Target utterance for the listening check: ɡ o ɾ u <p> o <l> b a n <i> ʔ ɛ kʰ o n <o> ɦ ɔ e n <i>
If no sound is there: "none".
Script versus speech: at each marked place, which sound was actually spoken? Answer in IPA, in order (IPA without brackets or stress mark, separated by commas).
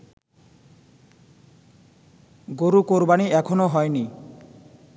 k, ɾ, i, o, i